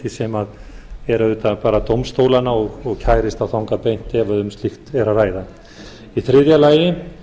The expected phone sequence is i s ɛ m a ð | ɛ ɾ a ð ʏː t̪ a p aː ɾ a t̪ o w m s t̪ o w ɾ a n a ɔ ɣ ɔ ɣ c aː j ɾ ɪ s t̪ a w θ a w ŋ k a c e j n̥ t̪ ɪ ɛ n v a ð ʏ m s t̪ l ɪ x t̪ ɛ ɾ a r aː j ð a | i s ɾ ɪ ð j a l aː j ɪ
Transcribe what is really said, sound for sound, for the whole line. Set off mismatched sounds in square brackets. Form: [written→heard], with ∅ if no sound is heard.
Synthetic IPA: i s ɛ m a ð | ɛ ɾ a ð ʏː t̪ a p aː ɾ a t̪ o w m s t̪ o w [ɾ→l] a n a ɔ ɣ ɔ ɣ [c→cʰ] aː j ɾ ɪ s t̪ a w θ a w ŋ k a [c→p] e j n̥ t̪ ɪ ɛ [n→∅] v a ð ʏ m s t̪ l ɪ x t̪ ɛ ɾ a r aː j ð a | i [s→θ] ɾ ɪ ð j a l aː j ɪ